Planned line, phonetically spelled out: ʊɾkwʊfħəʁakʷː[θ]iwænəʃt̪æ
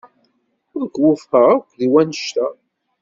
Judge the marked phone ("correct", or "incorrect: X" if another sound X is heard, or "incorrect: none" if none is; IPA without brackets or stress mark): incorrect: ð